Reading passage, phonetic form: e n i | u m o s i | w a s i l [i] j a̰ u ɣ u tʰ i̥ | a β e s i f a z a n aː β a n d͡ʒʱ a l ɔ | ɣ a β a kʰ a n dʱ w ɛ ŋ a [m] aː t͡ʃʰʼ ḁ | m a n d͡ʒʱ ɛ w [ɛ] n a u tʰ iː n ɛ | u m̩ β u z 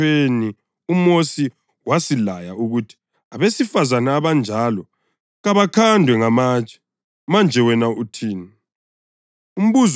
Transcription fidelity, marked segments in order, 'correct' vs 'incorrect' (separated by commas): incorrect, correct, correct